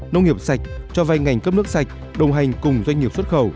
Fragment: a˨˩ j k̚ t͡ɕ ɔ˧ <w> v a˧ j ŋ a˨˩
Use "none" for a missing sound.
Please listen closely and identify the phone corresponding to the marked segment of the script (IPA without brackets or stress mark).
none